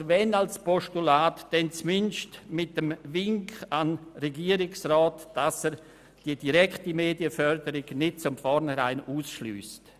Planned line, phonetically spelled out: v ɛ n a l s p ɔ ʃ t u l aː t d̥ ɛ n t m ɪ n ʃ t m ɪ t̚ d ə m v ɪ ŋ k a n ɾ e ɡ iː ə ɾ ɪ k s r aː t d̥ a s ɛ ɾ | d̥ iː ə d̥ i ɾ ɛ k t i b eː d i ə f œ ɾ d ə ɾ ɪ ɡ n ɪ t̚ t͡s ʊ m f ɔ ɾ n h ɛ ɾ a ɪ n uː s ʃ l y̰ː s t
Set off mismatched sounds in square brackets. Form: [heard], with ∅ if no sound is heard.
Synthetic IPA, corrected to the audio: v ɛ n a l s p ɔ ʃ t u l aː t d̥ ɛ n [t͡s] m ɪ n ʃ t m ɪ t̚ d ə m v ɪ ŋ k a n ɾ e ɡ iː ə ɾ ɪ k s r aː t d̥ a s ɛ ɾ | d̥ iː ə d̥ i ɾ ɛ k t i [m] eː d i ə f œ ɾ d ə ɾ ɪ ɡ n ɪ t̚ t͡s ʊ m f ɔ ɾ n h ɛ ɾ a ɪ n uː s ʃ l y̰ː s t